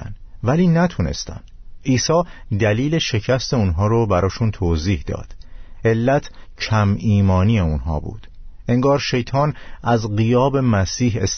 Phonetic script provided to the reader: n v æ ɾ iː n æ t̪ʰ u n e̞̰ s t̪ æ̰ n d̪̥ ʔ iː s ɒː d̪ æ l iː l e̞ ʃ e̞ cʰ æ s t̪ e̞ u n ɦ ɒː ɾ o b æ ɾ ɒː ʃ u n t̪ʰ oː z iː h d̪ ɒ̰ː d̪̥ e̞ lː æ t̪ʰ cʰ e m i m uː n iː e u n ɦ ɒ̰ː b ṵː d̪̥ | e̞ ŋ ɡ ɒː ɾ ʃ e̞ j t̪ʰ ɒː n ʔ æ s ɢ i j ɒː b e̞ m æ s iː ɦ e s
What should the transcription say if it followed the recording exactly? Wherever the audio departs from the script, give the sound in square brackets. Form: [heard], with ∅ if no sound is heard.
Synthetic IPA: n v æ [l] iː n æ t̪ʰ u n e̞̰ s t̪ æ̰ n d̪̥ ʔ iː s ɒː d̪ æ l iː l e̞ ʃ e̞ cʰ æ s t̪ e̞ u n ɦ ɒː ɾ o b æ ɾ ɒː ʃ u n t̪ʰ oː z iː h d̪ ɒ̰ː d̪̥ e̞ lː æ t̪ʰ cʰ [æ] m [iː] m [ɒː] n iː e u n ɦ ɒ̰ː b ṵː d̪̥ | e̞ ŋ ɡ ɒː ɾ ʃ e̞ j t̪ʰ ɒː n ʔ æ [z] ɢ i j ɒː b e̞ m æ s iː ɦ e s